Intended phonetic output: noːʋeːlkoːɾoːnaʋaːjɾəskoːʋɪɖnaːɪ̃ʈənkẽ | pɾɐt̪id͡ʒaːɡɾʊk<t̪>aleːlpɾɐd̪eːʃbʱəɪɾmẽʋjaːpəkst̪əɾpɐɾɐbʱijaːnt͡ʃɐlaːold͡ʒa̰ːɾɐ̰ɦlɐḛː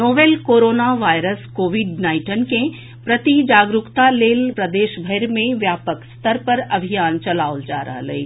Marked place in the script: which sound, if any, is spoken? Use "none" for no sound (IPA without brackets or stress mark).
t̪